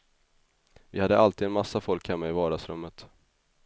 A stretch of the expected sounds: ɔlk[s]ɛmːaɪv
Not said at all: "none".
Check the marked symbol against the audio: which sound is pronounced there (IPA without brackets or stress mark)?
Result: h